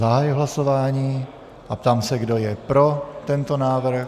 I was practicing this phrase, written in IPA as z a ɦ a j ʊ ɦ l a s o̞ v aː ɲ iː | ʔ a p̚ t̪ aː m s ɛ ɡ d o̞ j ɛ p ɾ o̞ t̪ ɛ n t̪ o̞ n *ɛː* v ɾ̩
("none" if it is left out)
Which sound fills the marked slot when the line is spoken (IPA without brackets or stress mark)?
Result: aː